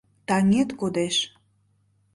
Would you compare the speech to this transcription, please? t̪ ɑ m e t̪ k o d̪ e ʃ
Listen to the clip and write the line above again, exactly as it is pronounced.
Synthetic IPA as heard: t̪ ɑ ŋ e t̪ k o d̪ e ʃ